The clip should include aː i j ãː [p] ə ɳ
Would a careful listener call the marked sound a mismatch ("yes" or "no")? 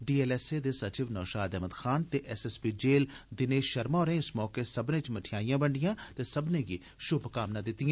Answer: yes